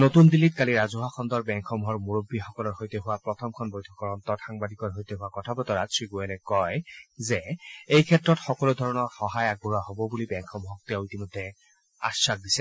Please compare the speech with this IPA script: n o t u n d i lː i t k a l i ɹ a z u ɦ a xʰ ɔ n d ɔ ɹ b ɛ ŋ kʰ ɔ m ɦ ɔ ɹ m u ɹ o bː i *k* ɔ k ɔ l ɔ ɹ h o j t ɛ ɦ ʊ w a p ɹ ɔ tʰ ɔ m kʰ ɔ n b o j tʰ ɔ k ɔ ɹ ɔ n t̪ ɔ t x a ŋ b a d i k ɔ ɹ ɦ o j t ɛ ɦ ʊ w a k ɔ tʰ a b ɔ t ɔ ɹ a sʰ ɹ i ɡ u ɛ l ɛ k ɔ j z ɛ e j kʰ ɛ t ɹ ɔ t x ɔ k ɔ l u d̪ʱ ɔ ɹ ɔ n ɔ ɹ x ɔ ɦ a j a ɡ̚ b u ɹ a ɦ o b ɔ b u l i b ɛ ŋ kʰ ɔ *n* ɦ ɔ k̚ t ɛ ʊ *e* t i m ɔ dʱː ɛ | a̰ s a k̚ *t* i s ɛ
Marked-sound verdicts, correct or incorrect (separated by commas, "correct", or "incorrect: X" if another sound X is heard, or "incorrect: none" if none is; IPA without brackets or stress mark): incorrect: x, incorrect: m, incorrect: i, incorrect: d